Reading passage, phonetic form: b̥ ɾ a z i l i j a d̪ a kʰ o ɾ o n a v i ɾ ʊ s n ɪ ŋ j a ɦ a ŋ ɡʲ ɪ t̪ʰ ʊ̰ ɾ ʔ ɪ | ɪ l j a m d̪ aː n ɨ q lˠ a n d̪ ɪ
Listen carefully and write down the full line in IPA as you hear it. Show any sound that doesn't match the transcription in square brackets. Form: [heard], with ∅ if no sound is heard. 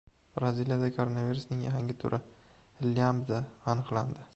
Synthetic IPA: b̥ ɾ a z i l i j a d̪ a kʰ o ɾ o n a v i ɾ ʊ s n ɪ ŋ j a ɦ a ŋ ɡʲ ɪ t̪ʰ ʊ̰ ɾ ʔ ɪ | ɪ l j a m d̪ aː n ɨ q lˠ a n d̪ ɪ